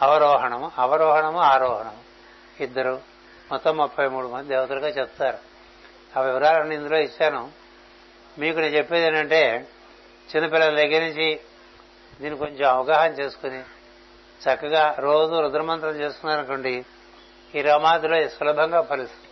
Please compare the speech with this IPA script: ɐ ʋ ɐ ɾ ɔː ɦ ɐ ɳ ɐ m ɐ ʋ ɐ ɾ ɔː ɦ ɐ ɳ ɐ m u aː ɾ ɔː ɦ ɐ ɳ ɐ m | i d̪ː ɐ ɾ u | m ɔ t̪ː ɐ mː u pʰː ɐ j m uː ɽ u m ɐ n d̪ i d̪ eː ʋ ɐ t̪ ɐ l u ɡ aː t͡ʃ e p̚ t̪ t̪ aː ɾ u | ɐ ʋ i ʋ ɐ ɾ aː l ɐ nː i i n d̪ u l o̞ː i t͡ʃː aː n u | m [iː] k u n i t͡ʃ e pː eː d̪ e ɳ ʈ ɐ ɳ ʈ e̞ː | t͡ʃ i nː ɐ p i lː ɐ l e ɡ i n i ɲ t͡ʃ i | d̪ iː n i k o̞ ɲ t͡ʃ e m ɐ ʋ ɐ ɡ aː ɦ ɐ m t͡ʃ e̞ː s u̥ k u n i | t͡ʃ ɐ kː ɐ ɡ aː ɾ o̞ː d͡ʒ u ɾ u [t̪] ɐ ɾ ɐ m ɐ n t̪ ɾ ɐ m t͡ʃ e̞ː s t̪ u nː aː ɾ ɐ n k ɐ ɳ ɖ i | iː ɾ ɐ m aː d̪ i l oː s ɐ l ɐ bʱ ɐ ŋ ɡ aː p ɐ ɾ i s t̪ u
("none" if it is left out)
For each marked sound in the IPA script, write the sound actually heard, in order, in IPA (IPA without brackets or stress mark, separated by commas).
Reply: iː, d̪